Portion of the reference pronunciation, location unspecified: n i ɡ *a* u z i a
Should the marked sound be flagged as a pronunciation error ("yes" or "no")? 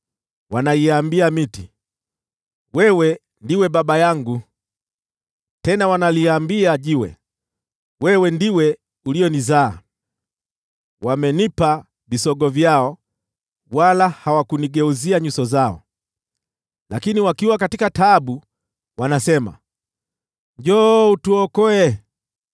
yes